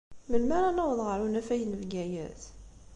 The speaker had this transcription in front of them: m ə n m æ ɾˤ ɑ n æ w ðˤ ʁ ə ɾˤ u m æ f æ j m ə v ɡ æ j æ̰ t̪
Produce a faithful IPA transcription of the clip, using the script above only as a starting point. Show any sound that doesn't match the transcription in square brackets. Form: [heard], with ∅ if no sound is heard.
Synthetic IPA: m ə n m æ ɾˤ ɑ n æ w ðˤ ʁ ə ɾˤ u [n] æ f æ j [n] ə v ɡ æ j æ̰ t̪